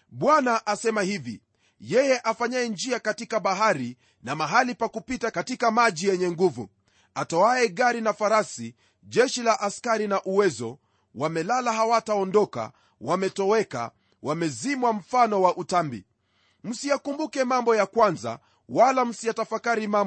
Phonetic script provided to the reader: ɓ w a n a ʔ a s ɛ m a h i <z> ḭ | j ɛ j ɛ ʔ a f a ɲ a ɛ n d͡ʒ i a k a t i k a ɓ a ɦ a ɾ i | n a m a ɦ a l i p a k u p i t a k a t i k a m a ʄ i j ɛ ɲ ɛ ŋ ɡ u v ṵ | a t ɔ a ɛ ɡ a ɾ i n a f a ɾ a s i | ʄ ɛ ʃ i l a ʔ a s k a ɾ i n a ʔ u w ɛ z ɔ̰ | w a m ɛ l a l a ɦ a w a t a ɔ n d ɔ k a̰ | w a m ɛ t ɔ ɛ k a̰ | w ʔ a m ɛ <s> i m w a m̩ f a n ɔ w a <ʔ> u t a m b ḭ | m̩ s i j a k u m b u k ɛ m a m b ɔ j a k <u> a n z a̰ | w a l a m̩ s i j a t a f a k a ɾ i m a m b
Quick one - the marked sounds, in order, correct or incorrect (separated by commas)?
incorrect, incorrect, correct, incorrect